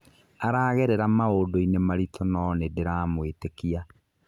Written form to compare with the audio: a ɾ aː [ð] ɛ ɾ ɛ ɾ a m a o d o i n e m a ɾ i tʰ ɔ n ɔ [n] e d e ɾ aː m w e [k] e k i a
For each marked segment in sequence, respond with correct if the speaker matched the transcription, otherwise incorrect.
incorrect, correct, incorrect

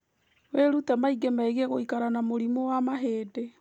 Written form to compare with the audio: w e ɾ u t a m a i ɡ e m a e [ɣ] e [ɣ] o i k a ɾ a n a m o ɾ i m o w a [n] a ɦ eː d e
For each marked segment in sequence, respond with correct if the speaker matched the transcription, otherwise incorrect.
correct, correct, incorrect

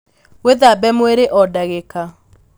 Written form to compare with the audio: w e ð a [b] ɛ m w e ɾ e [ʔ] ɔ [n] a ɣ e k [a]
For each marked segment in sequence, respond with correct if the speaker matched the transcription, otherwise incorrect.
correct, correct, incorrect, correct

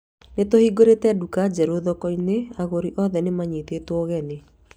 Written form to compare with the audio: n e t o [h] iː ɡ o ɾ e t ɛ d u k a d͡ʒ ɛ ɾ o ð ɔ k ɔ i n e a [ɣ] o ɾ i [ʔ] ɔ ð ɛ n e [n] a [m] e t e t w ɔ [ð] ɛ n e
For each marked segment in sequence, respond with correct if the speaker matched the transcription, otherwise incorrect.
correct, correct, correct, incorrect, incorrect, incorrect

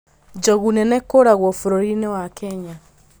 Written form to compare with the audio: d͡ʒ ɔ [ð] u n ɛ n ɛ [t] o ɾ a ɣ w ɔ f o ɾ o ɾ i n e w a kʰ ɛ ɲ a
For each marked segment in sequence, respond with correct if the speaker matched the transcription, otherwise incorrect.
incorrect, incorrect

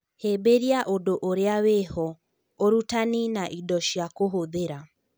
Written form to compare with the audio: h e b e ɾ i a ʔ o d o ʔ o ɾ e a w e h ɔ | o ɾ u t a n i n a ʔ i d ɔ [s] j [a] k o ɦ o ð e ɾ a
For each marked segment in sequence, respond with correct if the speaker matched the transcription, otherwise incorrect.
incorrect, correct

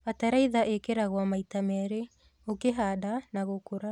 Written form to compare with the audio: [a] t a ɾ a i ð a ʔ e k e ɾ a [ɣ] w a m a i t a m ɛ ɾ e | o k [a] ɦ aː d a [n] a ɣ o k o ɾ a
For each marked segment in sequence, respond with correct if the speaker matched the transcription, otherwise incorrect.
correct, correct, incorrect, correct

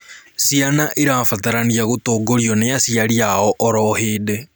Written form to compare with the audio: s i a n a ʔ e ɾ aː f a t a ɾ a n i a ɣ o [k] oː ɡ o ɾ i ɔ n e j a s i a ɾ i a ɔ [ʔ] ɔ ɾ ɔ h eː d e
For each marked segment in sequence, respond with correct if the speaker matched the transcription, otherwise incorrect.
incorrect, correct

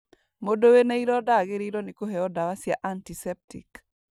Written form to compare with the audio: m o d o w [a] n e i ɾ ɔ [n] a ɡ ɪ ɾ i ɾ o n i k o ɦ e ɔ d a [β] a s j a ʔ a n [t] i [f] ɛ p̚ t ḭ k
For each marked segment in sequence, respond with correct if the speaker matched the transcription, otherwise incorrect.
incorrect, incorrect, incorrect, correct, incorrect

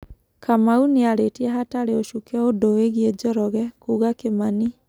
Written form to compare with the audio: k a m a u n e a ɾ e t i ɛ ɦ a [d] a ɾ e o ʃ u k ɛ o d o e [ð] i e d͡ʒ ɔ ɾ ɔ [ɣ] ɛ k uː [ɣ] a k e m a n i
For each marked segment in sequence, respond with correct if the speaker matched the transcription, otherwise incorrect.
incorrect, incorrect, correct, correct

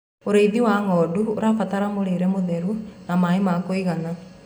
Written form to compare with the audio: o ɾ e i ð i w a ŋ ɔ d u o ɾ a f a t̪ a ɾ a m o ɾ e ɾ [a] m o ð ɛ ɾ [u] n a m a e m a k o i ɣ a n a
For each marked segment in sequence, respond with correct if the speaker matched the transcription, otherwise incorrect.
incorrect, correct

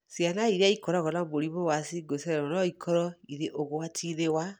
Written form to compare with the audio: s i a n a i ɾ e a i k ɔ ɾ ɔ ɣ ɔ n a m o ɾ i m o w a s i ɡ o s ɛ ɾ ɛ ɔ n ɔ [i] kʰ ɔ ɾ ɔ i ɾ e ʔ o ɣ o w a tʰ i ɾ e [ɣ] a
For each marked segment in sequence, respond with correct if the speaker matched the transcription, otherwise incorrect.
correct, incorrect

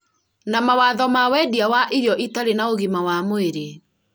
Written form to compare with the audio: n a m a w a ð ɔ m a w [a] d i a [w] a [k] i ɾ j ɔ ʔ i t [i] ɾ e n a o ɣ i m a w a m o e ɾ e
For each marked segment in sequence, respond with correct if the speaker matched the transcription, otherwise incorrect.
incorrect, correct, incorrect, incorrect

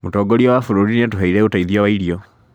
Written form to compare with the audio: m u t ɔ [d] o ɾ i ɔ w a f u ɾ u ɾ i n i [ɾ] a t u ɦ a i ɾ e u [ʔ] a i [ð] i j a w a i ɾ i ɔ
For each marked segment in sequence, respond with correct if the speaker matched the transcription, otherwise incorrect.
incorrect, incorrect, incorrect, correct

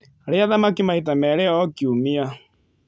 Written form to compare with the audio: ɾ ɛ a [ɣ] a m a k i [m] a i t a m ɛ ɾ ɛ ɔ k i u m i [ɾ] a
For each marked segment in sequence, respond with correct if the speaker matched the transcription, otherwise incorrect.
incorrect, correct, incorrect

